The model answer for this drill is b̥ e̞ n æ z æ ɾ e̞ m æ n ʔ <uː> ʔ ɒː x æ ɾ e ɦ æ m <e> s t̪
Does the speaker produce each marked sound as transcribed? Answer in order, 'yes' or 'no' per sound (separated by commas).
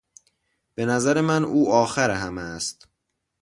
yes, no